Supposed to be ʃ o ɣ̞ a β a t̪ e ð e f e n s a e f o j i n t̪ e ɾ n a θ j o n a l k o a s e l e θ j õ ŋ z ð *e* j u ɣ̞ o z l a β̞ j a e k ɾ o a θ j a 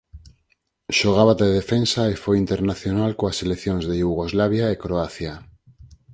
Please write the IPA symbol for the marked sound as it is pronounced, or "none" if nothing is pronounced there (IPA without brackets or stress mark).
e